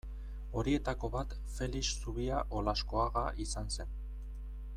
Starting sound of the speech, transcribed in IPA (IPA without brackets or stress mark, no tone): o̞